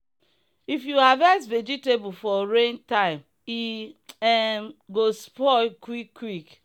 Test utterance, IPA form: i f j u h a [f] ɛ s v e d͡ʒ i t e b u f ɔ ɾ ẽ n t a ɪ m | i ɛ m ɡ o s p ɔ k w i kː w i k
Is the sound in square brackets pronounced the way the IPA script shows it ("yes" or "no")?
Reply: no